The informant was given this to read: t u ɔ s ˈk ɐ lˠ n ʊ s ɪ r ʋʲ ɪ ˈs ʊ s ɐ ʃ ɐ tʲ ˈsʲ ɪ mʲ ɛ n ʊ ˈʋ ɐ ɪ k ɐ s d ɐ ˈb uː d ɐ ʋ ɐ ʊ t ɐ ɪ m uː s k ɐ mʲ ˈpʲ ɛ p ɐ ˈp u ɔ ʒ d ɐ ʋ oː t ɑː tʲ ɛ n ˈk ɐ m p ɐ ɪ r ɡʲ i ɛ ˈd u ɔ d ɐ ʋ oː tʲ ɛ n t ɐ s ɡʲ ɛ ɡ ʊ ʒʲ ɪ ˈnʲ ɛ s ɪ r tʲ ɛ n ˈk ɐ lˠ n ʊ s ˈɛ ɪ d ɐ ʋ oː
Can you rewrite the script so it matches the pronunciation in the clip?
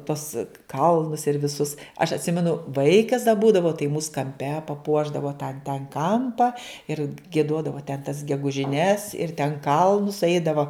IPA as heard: t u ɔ s ˈk ɐ lˠ n ʊ s ɪ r ʋʲ ɪ ˈs ʊ s ɐ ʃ ɐ tʲ ˈsʲ ɪ mʲ ɛ n ʊ ˈʋ ɐ ɪ k ɐ s d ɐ ˈb uː d ɐ ʋ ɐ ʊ t ɐ ɪ m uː s k ɐ mʲ ˈpʲ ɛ p ɐ ˈp u ɔ ʒ d ɐ ʋ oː t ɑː tʲ ɛ n ˈk ɐ m p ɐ ɪ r ɡʲ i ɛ ˈd u ɔ d ɐ ʋ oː tʲ ɛ n t ɐ s ɡʲ ɛ ɡ ʊ ʒʲ ɪ ˈnʲ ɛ s ɪ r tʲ ɛ n ˈk ɐ lˠ n ʊ s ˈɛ ɪ d ɐ ʋ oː